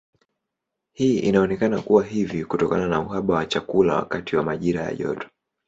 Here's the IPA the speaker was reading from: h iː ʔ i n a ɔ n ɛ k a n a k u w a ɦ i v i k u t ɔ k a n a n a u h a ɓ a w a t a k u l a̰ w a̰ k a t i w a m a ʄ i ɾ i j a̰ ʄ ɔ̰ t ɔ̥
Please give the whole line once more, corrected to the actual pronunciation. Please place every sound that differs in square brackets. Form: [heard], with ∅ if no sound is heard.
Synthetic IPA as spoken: h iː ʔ i n a ɔ n ɛ k a n a k u w a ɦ i v i k u t ɔ k a n a n a u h a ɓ a w a [t͡ʃ] a k u l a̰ w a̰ k a t i w a m a ʄ i ɾ [a] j a̰ ʄ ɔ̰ t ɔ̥